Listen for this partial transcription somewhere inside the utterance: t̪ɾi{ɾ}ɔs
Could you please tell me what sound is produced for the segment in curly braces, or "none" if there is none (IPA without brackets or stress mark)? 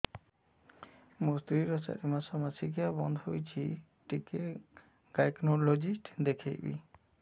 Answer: ɾ